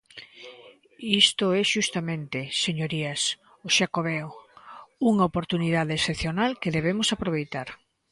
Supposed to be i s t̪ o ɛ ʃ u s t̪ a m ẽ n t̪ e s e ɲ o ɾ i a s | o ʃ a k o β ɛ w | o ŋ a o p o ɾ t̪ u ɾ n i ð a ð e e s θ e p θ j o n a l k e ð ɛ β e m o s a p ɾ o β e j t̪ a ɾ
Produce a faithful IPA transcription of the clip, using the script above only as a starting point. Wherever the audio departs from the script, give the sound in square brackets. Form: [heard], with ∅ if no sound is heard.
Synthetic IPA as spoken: i s t̪ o ɛ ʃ u s t̪ a m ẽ n t̪ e s e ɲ o ɾ i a s | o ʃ a k o β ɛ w | [u] ŋ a o p o ɾ t̪ u [∅] n i ð a ð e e s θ e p θ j o n a l k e ð [e] β e m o s a p ɾ o β e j t̪ a ɾ